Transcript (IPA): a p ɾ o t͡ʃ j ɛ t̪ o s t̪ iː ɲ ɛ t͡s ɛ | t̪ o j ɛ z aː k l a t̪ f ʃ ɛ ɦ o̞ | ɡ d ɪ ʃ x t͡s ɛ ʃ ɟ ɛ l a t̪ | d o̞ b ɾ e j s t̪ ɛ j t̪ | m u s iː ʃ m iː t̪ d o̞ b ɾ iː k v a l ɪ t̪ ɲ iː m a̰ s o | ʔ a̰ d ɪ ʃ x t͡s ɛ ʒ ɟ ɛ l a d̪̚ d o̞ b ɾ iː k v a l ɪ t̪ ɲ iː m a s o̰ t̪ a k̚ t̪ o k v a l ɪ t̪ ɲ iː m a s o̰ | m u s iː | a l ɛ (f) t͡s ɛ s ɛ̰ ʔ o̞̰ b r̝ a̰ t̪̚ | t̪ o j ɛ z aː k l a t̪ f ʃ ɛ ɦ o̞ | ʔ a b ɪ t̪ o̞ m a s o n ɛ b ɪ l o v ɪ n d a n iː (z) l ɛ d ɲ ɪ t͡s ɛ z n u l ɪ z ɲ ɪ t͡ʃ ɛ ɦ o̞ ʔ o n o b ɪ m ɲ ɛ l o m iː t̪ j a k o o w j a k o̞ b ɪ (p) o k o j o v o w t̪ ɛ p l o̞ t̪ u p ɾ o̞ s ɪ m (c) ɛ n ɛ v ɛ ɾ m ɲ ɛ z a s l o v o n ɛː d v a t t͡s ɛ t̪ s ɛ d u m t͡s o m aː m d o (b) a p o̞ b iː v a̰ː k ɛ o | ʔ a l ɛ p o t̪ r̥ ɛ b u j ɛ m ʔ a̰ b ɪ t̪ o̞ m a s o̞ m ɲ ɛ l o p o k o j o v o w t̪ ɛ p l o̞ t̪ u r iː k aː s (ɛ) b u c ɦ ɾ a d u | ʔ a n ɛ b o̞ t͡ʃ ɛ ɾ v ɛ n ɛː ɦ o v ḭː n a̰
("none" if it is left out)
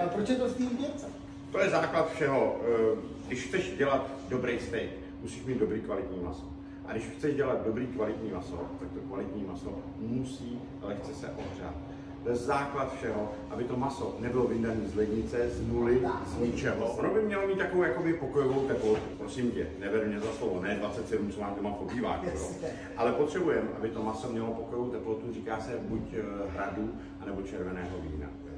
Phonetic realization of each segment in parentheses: x, z, p, c, m, ɛ

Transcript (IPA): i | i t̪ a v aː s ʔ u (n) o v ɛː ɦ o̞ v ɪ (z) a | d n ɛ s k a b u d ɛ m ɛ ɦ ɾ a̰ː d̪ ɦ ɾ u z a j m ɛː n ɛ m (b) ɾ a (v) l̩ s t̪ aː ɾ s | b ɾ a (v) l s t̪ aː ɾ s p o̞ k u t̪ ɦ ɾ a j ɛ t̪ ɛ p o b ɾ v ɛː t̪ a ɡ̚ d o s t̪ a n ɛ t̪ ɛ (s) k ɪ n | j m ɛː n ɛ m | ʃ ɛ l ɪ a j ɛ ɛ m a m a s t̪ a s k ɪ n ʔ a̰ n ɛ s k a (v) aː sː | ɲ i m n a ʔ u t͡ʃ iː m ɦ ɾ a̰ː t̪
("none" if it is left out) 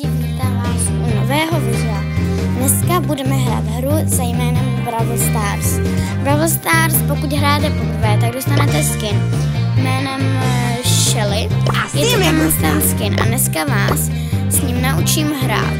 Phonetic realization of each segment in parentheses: n, z, b, v, v, s, v

